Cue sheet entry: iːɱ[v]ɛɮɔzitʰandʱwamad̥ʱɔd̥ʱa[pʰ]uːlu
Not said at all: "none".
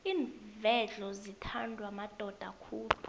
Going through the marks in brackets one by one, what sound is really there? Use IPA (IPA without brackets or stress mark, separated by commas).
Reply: v, kʰ